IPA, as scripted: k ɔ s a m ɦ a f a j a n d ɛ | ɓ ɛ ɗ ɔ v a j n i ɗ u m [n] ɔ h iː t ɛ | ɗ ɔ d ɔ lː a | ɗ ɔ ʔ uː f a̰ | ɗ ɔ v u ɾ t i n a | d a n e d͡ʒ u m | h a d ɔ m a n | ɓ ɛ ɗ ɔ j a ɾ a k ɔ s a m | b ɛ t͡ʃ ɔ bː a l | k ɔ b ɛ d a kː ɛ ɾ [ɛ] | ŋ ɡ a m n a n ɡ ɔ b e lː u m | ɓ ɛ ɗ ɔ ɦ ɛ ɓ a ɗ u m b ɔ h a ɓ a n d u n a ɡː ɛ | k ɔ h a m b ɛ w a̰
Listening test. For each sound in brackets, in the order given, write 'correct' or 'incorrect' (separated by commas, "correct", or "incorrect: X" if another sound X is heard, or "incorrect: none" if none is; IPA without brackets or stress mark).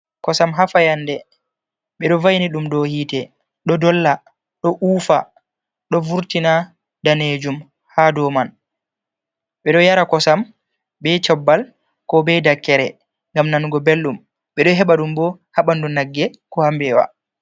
incorrect: d, correct